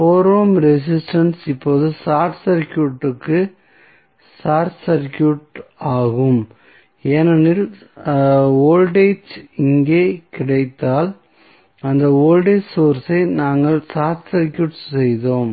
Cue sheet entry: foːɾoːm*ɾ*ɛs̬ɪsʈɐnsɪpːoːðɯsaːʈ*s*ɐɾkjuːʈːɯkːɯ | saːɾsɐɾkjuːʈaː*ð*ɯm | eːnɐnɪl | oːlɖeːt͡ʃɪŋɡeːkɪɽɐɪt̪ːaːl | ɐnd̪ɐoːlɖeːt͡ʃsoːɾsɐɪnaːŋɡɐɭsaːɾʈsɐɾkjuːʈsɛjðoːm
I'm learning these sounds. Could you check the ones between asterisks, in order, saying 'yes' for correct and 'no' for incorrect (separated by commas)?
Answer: yes, yes, no